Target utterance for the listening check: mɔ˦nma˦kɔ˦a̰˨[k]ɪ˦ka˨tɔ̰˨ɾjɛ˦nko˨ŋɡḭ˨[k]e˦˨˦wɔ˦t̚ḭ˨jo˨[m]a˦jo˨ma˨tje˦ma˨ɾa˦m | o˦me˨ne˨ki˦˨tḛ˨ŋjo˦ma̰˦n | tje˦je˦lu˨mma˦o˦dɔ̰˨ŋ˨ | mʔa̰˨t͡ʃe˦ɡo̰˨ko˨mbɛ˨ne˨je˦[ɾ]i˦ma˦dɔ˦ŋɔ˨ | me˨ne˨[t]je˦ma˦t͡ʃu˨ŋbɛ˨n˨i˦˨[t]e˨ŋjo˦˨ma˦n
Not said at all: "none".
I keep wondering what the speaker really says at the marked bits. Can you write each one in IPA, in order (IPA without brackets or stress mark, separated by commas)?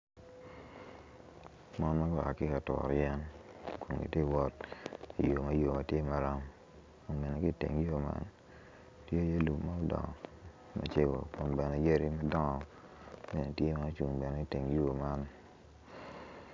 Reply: k, t, m, ɾ, t, t